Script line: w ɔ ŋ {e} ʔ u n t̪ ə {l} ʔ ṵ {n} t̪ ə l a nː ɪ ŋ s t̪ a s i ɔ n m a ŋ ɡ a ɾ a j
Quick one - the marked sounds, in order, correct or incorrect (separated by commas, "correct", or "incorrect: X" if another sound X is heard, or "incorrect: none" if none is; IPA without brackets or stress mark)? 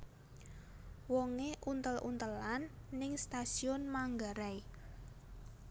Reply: correct, correct, correct